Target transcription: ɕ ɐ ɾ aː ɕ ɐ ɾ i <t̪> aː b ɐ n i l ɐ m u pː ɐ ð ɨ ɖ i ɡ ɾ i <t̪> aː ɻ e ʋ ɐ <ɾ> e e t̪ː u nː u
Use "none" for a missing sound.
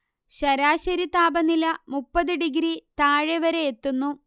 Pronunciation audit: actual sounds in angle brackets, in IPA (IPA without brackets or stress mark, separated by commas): t̪, t̪, ɾ